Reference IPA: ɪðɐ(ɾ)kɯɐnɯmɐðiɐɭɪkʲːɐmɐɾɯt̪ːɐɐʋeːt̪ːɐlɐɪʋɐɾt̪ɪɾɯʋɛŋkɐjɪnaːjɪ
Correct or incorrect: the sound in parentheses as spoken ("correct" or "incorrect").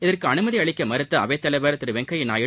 incorrect